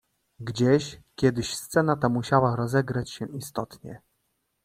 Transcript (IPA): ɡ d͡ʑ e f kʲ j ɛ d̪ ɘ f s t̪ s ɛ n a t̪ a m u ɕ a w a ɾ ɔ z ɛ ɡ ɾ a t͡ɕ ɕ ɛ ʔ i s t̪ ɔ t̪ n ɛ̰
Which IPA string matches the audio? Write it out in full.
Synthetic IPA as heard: ɡ d͡ʑ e ɕ kʲ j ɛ d̪ ɘ ɕ s t̪ s ɛ n a t̪ a m u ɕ a w a ɾ ɔ z ɛ ɡ ɾ a t͡ɕ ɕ ɛ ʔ i s t̪ ɔ t̪ ɲ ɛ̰